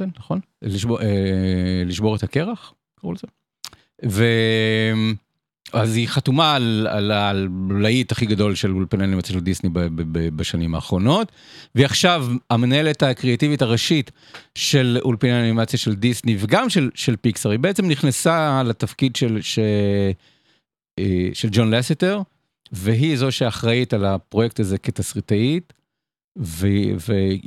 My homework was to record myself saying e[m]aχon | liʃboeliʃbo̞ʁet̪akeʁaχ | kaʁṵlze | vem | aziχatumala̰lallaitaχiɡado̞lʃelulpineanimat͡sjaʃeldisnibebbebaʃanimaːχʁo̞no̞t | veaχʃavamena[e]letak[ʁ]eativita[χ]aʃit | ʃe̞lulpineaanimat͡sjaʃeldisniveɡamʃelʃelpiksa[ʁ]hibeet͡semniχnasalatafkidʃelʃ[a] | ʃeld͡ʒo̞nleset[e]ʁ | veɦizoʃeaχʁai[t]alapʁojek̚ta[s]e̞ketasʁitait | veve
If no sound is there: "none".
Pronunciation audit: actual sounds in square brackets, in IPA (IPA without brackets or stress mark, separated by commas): n, e, ʁ, ʁ, ʁ, e, e, t, z